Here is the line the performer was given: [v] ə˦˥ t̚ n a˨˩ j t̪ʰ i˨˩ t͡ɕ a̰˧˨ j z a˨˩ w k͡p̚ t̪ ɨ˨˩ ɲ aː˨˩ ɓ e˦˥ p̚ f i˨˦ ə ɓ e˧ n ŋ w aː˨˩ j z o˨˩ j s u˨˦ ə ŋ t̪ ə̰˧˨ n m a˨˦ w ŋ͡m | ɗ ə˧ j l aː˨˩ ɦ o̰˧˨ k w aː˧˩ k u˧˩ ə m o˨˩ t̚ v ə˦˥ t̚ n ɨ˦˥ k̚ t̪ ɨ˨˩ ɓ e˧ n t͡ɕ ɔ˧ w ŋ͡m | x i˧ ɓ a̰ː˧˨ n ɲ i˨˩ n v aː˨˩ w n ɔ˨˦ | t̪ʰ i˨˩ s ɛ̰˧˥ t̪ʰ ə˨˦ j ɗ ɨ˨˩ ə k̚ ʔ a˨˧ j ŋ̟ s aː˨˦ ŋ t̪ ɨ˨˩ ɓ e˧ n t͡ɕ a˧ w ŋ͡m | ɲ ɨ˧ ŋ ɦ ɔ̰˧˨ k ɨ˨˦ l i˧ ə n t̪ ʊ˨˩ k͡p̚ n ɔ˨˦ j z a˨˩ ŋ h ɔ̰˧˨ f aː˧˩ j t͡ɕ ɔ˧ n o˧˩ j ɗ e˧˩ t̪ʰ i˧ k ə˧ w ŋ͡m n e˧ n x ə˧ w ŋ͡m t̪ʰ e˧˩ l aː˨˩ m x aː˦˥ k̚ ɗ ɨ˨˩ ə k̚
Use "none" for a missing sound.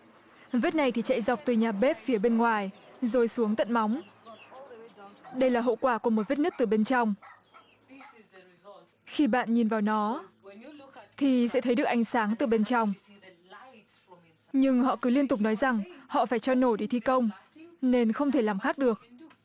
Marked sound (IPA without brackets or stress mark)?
v